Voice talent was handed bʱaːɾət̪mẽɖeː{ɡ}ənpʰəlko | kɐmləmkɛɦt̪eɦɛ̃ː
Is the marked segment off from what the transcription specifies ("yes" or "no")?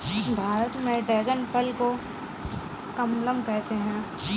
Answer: no